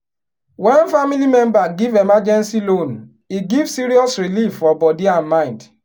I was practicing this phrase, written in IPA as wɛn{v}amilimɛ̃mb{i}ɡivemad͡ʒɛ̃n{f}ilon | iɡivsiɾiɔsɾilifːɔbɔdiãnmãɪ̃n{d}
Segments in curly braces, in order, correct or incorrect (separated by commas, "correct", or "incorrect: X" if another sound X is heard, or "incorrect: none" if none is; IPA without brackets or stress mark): incorrect: f, incorrect: a, incorrect: s, correct